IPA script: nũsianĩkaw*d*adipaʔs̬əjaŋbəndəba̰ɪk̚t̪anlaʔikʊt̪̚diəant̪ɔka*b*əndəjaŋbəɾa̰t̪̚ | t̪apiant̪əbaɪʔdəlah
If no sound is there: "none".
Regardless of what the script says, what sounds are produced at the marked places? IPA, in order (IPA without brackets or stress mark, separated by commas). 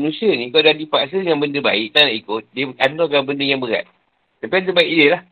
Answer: d, b